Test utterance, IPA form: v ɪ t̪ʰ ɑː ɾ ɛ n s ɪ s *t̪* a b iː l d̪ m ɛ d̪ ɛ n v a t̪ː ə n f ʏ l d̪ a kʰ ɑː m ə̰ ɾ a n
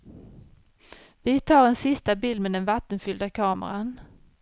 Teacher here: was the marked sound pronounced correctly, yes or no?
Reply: yes